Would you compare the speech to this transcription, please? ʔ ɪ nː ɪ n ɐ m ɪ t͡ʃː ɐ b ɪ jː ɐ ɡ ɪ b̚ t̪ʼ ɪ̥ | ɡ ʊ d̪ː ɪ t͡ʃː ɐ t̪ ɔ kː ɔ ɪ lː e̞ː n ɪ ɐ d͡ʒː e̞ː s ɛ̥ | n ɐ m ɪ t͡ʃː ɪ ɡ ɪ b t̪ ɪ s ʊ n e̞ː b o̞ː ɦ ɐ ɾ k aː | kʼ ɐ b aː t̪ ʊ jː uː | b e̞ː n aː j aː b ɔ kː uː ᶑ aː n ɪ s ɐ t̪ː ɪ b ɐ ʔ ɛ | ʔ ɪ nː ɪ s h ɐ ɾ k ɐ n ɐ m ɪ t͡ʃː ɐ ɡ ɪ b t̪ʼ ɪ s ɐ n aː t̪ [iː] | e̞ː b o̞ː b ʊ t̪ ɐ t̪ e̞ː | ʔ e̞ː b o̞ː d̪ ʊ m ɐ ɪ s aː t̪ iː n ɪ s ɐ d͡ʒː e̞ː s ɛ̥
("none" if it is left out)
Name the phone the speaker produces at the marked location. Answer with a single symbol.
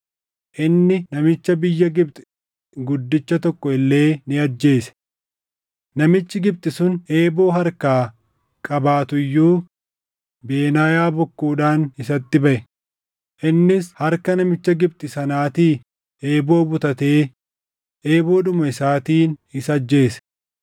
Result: iː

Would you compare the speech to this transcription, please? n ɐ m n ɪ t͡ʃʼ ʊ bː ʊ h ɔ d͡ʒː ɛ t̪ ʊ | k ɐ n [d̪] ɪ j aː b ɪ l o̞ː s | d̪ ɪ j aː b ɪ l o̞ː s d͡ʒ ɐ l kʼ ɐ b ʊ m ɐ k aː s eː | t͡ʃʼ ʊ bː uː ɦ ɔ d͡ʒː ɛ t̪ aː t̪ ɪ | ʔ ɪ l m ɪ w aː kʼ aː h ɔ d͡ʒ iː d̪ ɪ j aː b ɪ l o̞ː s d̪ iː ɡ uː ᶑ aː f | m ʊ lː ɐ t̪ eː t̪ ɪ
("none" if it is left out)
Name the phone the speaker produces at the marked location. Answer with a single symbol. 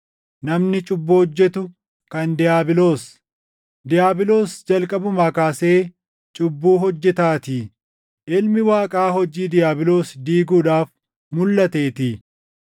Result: d̪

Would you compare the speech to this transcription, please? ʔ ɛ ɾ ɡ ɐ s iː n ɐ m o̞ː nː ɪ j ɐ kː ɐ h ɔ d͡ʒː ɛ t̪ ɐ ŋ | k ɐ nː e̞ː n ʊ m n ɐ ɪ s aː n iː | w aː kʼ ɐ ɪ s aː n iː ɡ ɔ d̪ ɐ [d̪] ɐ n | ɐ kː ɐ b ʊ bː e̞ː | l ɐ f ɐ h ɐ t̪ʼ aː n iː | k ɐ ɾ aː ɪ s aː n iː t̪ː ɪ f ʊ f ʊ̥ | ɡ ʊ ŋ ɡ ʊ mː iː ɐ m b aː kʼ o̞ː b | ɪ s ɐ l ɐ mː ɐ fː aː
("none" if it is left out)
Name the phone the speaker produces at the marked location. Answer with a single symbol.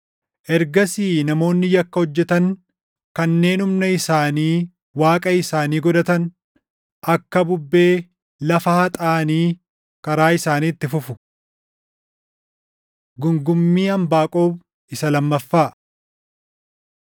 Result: t̪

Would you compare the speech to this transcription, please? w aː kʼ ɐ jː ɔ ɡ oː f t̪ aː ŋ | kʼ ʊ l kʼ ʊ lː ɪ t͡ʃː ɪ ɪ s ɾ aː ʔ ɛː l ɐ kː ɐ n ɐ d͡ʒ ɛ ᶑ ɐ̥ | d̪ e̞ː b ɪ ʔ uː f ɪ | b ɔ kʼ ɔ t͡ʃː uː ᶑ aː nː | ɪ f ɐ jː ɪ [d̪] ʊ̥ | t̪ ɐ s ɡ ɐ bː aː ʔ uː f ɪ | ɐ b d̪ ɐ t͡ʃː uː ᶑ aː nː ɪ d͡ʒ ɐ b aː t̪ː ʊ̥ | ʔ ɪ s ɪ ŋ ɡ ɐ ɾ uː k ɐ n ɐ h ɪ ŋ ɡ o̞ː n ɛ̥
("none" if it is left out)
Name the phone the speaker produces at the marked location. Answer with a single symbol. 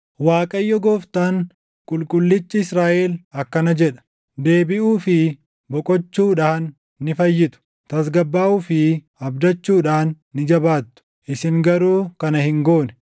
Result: t̪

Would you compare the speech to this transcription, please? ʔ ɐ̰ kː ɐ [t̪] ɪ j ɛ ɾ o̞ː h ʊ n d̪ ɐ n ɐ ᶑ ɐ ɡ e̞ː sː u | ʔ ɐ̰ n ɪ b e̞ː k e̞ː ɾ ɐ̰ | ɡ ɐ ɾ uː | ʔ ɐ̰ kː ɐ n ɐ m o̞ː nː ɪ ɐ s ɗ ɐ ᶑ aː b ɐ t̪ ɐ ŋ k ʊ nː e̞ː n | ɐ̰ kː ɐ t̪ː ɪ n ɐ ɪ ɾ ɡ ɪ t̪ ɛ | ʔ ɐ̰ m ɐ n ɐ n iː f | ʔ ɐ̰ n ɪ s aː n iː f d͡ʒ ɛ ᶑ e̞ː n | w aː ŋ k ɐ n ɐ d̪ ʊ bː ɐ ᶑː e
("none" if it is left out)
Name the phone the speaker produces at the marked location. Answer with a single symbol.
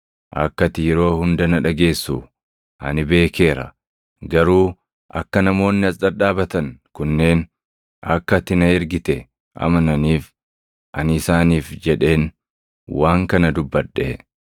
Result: t̪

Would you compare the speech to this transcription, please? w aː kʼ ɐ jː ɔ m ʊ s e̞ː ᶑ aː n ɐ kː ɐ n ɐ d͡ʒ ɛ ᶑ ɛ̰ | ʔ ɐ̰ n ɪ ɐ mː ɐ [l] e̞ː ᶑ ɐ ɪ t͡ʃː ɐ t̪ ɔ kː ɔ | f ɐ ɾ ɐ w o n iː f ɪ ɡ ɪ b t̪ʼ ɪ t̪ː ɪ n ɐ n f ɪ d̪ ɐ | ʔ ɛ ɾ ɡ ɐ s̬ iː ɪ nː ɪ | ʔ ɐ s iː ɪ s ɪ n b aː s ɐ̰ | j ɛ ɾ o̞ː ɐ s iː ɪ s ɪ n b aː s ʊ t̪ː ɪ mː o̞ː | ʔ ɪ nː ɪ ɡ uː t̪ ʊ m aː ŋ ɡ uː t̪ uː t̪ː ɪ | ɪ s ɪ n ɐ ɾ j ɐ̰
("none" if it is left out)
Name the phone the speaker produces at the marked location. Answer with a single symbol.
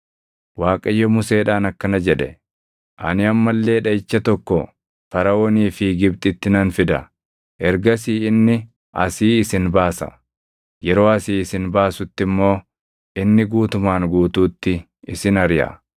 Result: lː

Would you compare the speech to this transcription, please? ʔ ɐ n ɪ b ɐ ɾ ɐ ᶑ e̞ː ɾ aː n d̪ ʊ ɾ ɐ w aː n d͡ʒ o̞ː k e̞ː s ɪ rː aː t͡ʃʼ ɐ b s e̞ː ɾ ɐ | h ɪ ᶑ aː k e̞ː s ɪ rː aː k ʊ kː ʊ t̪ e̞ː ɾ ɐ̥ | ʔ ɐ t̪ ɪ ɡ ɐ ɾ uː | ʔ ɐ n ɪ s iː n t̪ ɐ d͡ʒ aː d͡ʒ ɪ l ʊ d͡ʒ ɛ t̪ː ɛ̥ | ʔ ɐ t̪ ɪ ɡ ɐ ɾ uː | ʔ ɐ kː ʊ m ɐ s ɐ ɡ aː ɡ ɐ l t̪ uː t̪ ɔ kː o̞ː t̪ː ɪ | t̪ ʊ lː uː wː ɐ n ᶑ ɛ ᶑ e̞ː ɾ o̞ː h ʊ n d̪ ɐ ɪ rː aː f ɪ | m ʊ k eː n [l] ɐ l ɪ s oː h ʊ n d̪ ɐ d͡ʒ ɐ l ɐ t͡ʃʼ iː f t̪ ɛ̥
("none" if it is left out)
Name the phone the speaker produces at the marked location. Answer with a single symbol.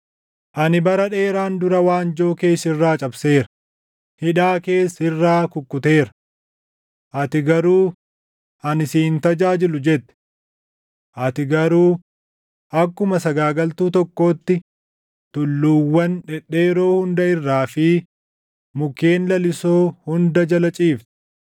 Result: l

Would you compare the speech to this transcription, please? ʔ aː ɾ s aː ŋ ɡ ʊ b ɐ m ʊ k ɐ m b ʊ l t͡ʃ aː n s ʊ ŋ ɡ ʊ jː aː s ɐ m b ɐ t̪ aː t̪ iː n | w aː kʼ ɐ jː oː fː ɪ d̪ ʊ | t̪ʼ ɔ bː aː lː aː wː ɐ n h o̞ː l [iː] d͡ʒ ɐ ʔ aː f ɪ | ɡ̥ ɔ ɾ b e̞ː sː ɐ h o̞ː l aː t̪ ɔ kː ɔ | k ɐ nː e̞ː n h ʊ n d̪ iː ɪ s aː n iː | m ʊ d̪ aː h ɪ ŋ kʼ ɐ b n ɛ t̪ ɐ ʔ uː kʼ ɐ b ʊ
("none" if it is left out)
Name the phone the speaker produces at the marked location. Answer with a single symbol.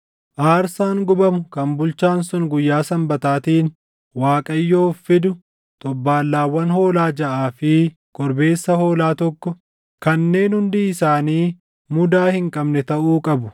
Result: aː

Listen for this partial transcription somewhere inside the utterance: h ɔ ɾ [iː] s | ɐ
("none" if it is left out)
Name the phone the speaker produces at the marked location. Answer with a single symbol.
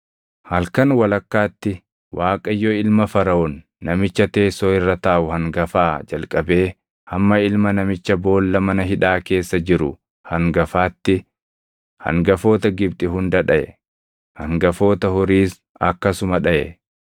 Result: iː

